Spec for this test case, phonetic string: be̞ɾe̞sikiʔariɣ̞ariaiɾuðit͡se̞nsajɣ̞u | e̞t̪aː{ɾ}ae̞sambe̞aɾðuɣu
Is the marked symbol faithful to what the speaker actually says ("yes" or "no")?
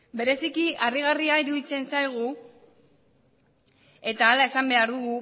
no